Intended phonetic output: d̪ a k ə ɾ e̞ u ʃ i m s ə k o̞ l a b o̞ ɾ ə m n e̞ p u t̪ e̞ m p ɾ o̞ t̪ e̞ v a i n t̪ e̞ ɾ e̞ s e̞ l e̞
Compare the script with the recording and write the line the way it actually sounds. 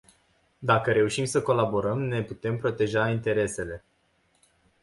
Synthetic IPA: d̪ a k ə ɾ e̞ u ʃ i m s ə k o̞ l a b o̞ ɾ ə m n e̞ p u t̪ e̞ m p ɾ o̞ t̪ e̞ ʒ a i n t̪ e̞ ɾ e̞ s e̞ l e̞